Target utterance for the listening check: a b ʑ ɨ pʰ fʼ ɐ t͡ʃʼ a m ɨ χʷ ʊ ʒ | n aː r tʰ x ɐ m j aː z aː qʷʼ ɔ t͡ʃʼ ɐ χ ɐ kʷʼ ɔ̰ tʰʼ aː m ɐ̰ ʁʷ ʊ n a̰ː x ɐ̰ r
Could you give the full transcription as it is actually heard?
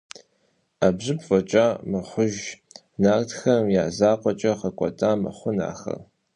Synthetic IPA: a b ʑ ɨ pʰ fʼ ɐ t͡ʃʼ a m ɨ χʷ ʊ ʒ | n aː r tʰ x ɐ m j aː z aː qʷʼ ɔ t͡ʃʼ ɐ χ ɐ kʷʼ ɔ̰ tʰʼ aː m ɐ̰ χʷ ʊ n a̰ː x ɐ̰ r

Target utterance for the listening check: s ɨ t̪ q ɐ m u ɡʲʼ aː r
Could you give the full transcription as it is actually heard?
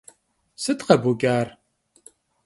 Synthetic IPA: s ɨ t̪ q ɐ b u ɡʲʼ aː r

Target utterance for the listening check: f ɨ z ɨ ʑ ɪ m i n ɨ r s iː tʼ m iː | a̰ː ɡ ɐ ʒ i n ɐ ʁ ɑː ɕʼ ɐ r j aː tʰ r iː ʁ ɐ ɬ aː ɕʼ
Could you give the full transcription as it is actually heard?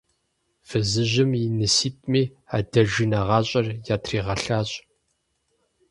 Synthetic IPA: f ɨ z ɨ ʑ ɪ m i n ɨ s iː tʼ m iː | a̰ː d ɐ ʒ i n ɐ ʁ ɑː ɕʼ ɐ r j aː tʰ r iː ʁ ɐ ɬ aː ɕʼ

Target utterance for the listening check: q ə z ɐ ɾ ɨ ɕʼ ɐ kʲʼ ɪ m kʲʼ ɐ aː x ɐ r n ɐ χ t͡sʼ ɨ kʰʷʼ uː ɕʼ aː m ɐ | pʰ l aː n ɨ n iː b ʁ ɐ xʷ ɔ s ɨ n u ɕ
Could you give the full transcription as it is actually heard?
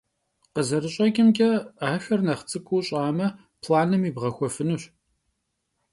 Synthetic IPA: q ə z ɐ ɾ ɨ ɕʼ ɐ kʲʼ ɪ m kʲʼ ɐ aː x ɐ r n ɐ χ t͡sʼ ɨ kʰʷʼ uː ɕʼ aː m ɐ | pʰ l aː n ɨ m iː b ʁ ɐ xʷ ɔ f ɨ n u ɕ

